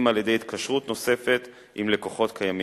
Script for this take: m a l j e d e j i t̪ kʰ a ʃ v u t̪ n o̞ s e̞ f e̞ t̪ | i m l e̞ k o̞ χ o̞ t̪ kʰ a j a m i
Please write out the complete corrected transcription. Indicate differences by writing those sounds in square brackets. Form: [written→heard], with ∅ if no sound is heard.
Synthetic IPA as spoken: m a l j e d e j i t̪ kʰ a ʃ [v→ʁ] u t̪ n o̞ s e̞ f e̞ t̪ | i m l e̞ k o̞ χ o̞ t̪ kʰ a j a m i